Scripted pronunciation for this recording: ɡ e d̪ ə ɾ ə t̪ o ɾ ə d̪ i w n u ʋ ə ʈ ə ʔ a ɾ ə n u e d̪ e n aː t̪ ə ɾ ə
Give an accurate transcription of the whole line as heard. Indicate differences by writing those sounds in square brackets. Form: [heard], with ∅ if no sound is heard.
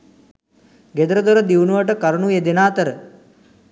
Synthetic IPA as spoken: ɡ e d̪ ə ɾ ə [d̪] o ɾ ə d̪ i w n u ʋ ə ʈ ə [k] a ɾ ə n u e d̪ e n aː t̪ ə ɾ ə